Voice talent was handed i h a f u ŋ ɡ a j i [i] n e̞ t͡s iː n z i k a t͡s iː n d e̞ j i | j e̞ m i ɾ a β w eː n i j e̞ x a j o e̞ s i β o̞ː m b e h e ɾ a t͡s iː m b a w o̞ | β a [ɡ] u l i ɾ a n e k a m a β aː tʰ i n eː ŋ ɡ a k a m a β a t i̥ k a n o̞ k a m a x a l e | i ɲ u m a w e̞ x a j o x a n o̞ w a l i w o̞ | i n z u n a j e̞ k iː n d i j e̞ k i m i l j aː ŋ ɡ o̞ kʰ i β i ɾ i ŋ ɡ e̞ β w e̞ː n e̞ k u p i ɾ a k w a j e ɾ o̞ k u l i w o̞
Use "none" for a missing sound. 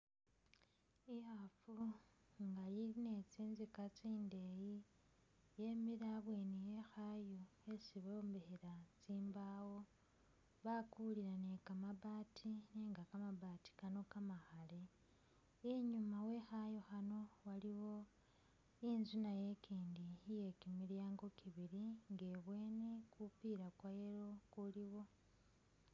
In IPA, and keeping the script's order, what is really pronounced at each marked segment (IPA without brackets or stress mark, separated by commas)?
i, k